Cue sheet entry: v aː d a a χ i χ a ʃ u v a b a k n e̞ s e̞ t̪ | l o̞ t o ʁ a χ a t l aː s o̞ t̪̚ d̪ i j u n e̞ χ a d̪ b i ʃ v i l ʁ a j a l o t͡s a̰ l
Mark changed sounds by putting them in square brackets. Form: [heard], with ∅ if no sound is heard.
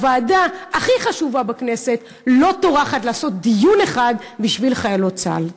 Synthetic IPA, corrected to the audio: v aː d a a χ i χ a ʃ u v a b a k n e̞ s e̞ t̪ | l o̞ t o ʁ a χ a t l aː s o̞ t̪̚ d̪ i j u n e̞ χ a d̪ b i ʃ v i l [χ] a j a l o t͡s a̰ l